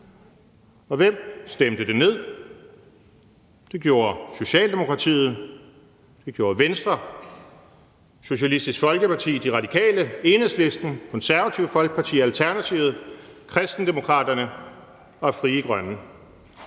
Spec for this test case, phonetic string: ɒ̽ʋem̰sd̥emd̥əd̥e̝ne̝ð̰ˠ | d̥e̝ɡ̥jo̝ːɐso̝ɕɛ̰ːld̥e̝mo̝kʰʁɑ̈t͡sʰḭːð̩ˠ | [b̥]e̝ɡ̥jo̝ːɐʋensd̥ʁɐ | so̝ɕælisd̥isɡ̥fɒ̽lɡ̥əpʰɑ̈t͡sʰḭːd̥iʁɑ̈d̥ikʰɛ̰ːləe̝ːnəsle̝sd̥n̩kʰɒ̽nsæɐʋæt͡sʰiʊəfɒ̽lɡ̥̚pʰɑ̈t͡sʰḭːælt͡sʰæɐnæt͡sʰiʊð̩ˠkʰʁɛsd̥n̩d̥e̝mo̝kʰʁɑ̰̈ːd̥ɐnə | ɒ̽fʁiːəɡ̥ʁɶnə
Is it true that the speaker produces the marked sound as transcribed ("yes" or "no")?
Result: no